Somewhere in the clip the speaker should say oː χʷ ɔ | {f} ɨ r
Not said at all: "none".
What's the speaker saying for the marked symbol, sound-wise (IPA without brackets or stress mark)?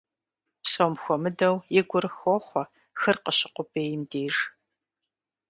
x